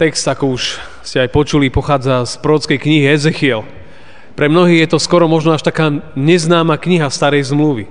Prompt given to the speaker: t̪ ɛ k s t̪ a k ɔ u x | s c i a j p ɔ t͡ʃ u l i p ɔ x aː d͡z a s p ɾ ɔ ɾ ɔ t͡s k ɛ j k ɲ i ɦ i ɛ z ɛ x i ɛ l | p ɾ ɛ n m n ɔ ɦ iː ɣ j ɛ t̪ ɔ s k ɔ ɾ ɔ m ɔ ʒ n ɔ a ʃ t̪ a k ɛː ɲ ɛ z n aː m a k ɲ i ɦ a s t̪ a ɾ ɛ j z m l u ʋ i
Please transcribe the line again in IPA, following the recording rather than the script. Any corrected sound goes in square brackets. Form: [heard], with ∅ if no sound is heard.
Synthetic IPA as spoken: t̪ ɛ k s t̪ a k ɔ u [ʃ] | s c [ɛ] a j p ɔ t͡ʃ u l i p ɔ x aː d͡z a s p ɾ ɔ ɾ ɔ t͡s k ɛ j k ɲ i ɦ i ɛ z ɛ x i ɛ l | p ɾ ɛ [∅] m n ɔ ɦ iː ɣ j ɛ t̪ ɔ s k ɔ ɾ ɔ m ɔ ʒ n ɔ a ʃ t̪ a k [aː] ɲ ɛ z n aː m a k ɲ i ɦ a s t̪ a ɾ ɛ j z m l u ʋ i